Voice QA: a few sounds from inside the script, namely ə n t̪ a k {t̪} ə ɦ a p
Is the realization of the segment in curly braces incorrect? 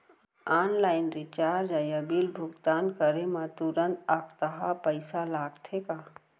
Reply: no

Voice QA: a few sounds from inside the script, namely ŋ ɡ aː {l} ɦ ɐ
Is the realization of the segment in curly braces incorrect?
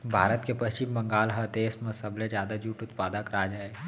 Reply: no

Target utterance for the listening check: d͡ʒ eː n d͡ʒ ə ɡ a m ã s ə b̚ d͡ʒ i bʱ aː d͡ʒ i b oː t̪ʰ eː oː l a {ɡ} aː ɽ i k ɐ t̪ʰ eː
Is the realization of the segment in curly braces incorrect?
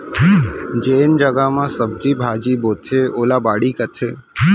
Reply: yes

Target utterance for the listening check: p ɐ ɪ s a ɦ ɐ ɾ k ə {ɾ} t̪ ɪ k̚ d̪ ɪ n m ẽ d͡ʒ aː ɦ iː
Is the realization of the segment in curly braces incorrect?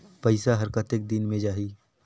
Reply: yes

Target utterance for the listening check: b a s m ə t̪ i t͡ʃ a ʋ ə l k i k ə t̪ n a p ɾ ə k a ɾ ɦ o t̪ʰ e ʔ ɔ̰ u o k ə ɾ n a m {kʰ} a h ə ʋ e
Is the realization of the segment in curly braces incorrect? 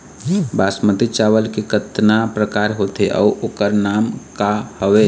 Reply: yes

